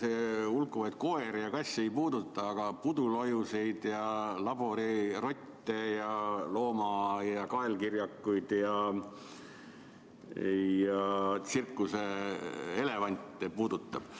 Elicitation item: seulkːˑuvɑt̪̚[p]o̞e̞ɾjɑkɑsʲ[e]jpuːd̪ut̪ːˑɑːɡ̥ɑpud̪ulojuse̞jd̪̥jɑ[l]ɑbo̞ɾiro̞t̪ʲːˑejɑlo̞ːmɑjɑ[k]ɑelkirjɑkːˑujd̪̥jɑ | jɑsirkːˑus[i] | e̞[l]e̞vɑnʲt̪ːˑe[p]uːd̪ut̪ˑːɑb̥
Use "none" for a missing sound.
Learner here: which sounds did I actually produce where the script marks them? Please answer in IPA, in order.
k, e, l, k, e, l, p

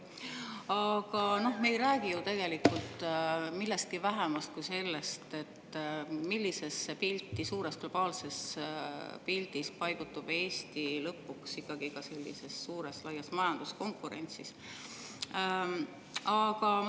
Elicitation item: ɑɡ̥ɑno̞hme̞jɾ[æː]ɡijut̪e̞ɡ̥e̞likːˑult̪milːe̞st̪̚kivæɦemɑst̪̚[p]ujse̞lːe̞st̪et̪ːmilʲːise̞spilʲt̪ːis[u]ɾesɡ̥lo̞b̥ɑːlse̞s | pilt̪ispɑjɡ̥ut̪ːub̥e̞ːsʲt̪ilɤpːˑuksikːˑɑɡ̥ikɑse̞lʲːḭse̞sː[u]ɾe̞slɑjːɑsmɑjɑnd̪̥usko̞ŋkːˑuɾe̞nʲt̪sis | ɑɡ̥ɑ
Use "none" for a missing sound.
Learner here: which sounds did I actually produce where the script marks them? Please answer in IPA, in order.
æː, k, uː, uː

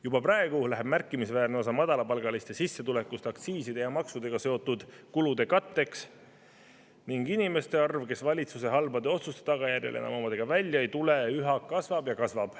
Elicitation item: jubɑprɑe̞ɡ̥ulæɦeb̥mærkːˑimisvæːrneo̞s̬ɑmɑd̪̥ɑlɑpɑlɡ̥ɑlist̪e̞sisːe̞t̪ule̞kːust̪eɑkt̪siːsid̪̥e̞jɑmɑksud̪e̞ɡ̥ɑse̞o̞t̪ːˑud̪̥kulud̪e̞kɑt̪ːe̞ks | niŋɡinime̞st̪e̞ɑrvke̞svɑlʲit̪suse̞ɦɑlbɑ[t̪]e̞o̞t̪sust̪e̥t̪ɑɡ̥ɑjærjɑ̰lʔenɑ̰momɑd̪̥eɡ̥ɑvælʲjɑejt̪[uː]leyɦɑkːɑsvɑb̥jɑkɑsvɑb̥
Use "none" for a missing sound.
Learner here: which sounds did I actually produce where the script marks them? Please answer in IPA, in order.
d̪, u

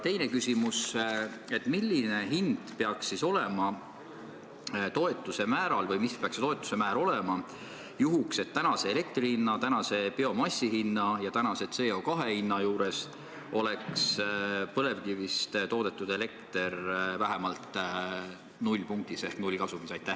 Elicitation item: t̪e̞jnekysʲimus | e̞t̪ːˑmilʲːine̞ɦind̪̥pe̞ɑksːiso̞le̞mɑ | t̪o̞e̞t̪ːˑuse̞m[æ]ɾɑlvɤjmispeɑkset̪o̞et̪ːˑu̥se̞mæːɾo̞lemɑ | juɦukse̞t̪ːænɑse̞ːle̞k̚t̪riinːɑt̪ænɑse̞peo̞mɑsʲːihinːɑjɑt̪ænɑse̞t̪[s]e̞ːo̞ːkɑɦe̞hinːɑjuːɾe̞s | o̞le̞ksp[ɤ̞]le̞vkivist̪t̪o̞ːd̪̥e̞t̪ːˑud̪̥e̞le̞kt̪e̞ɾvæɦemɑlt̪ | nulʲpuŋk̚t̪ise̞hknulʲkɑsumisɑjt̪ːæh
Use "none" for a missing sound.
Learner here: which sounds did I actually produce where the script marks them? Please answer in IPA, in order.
æː, s, ɤ̞

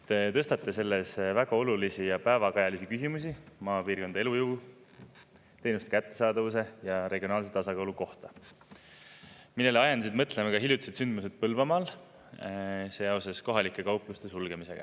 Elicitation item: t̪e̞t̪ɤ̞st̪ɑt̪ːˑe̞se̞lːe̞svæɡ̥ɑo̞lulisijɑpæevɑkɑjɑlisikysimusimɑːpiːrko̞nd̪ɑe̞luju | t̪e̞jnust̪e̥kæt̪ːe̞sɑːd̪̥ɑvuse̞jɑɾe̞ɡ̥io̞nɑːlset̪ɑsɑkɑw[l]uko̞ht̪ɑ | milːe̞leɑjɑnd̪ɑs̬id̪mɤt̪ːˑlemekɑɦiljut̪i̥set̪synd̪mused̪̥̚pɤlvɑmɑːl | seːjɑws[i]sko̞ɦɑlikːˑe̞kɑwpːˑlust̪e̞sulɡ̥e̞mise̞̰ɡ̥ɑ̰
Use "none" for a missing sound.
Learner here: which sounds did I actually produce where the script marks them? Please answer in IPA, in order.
l, e

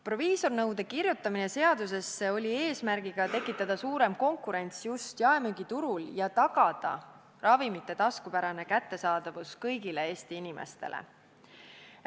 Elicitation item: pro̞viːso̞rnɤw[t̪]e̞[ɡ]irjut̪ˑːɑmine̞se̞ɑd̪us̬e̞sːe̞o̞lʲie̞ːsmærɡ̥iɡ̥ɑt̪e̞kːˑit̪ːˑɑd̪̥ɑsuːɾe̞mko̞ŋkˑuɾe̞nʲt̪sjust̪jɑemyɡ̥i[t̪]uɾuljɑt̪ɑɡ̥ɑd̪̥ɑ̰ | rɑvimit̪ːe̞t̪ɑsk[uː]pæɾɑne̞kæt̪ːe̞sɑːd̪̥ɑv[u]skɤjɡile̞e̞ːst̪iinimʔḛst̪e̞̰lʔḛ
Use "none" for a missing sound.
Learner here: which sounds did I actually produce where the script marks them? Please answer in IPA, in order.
d̪, k, t̪, u, u

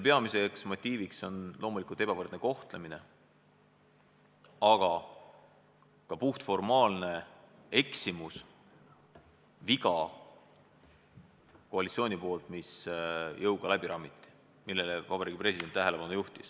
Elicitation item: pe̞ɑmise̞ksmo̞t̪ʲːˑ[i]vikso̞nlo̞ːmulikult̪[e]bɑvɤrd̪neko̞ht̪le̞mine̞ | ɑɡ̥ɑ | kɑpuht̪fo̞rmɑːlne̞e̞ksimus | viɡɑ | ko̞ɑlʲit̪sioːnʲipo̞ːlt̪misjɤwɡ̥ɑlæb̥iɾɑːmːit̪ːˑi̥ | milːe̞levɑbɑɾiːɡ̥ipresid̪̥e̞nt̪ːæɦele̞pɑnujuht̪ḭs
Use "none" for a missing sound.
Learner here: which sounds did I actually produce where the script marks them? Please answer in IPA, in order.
iː, e

